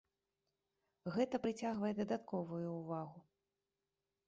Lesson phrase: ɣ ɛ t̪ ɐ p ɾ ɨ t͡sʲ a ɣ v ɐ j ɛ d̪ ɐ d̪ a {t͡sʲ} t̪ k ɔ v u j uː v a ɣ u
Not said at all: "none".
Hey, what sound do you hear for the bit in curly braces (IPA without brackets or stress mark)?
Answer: none